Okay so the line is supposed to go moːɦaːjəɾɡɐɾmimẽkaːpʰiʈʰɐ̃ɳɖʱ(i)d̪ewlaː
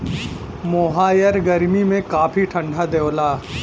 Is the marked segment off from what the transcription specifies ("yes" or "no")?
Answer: yes